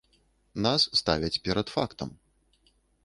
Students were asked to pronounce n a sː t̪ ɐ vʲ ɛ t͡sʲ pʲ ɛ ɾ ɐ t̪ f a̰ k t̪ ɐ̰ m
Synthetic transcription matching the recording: n a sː t̪ a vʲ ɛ t͡sʲ pʲ ɛ ɾ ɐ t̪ f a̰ k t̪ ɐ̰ m